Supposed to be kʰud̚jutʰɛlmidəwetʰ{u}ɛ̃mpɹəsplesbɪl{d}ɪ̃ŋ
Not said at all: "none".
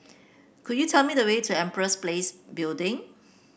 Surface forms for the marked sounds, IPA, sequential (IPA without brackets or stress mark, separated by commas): u, d